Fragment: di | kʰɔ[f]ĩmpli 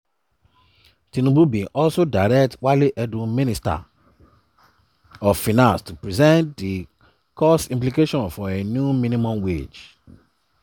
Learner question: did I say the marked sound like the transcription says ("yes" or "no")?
no